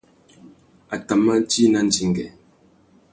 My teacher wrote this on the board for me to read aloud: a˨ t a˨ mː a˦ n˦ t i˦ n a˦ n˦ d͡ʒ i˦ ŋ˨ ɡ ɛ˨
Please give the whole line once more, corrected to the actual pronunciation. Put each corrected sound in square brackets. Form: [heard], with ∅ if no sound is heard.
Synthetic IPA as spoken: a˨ t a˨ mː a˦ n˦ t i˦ n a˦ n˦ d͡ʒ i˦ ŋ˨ ɡ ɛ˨